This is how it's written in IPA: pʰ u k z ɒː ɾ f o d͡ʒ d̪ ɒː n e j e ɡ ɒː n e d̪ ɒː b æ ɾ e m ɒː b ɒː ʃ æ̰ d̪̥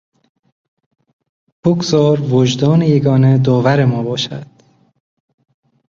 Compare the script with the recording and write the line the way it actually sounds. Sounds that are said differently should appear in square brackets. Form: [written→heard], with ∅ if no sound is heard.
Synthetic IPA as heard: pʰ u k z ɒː ɾ [f→v] o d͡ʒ d̪ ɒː n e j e ɡ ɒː n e d̪ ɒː [b→v] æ ɾ e m ɒː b ɒː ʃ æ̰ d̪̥